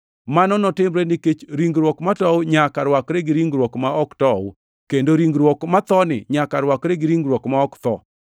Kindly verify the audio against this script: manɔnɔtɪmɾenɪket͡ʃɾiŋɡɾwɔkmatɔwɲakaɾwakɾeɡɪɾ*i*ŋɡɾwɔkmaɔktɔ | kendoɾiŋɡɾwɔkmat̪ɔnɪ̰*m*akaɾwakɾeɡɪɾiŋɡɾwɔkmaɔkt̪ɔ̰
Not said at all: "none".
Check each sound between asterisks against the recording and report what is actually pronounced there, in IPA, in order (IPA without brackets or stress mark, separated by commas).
i, ɲ